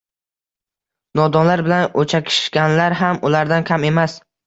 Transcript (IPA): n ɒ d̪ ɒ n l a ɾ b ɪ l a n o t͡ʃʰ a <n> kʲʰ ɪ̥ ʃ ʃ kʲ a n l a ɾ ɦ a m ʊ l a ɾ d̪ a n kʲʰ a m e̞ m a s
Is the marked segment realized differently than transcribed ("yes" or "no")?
yes